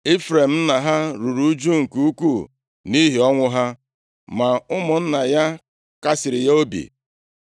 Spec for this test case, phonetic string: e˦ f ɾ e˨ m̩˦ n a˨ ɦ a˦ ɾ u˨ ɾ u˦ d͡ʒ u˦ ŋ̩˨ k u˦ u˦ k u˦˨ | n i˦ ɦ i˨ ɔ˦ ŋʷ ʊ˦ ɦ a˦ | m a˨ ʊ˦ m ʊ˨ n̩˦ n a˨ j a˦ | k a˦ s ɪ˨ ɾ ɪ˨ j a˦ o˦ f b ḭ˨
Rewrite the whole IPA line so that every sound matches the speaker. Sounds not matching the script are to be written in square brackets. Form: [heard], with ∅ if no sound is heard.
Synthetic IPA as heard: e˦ f ɾ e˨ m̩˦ n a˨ ɦ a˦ ɾ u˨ ɾ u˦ d͡ʒ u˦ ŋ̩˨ k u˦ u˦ k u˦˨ | n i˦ ɦ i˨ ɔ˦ ŋʷ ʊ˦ ɦ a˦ | m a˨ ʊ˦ m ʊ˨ n̩˦ n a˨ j a˦ | k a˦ s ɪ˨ ɾ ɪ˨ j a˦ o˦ [∅] b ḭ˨